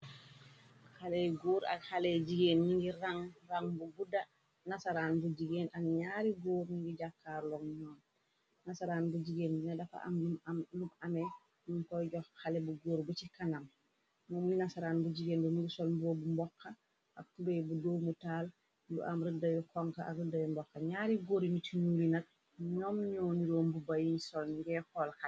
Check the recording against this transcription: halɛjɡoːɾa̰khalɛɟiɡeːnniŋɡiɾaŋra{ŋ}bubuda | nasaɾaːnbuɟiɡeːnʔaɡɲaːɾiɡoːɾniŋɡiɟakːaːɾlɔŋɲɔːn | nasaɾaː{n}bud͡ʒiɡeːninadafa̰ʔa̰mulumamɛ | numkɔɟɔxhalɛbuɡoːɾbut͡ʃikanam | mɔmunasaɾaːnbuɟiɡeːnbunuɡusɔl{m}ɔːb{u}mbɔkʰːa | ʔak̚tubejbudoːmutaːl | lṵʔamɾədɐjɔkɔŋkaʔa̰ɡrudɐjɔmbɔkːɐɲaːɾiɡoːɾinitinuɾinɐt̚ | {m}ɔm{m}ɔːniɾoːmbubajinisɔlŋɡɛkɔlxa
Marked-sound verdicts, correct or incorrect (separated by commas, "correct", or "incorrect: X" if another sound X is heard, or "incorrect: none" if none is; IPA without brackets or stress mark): correct, correct, incorrect: b, correct, incorrect: ɲ, incorrect: ɲ